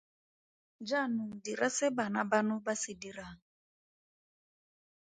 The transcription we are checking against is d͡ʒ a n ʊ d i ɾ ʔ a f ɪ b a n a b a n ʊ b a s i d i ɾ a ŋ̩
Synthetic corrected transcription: d͡ʒ a n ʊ d i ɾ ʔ a s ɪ b a n a b a n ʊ b a s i d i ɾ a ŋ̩

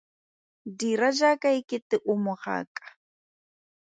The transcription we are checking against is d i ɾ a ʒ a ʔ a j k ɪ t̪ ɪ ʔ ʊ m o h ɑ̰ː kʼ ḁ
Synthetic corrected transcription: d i ɾ a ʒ a k a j k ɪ t̪ ɪ ʔ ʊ m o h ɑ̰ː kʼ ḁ

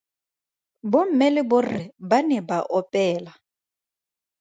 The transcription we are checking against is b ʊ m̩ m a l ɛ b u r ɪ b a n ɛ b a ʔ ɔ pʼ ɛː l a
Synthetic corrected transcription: b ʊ m̩ m ɛ l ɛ b ʊ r ɪ b a n ɛ b a ʔ ɔ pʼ ɛː l a

